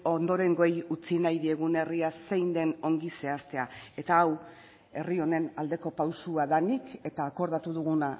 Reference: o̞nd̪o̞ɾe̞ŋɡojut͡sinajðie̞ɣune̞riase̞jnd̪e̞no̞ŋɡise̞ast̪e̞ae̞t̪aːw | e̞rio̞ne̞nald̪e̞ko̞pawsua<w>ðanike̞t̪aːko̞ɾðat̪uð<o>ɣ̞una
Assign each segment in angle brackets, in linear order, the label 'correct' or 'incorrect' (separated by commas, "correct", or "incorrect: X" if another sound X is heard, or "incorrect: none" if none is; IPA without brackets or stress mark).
incorrect: none, incorrect: u